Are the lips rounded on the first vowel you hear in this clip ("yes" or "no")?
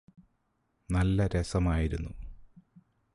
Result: no